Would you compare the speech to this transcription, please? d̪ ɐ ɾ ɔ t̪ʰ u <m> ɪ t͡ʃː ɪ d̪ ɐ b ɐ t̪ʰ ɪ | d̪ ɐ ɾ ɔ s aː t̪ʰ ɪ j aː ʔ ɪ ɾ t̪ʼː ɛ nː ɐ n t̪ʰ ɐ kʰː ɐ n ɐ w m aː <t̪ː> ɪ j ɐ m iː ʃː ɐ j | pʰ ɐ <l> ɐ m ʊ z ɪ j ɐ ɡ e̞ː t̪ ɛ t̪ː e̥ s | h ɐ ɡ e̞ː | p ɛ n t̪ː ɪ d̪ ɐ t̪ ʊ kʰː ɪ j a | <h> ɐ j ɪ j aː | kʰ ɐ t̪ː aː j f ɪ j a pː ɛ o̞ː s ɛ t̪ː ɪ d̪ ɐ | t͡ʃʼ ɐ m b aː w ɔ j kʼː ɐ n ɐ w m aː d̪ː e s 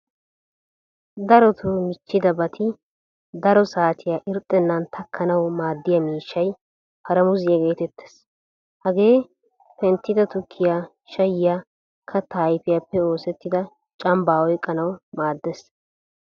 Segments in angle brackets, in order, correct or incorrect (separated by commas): correct, incorrect, incorrect, incorrect